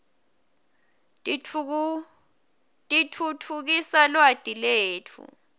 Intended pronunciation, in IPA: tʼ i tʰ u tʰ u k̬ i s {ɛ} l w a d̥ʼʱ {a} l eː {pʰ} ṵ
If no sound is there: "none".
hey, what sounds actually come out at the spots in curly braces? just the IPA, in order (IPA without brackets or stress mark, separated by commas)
a, i, tʰ